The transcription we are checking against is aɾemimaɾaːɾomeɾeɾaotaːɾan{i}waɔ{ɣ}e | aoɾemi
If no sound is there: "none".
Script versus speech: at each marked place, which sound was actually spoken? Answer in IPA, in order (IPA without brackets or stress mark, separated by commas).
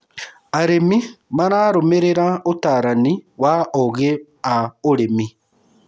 i, ɣ